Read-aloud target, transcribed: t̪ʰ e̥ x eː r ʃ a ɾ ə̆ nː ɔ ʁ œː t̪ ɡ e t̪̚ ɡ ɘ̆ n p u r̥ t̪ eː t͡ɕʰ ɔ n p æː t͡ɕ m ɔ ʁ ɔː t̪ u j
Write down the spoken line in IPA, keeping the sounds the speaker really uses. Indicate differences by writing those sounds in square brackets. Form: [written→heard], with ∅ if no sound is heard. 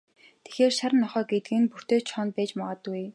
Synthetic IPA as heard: t̪ʰ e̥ x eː r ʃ a ɾ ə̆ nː ɔ [ʁ→χ] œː [t̪→∅] ɡ e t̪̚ ɡ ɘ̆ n p u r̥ t̪ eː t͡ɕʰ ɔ n p æː t͡ɕ m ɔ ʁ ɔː t̪ u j